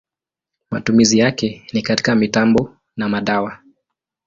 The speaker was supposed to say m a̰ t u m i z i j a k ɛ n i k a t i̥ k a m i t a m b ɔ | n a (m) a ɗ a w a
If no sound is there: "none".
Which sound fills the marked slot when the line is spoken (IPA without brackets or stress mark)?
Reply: m